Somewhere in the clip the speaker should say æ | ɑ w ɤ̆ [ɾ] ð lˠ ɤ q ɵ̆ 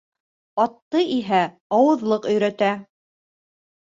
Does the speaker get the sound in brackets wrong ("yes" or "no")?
yes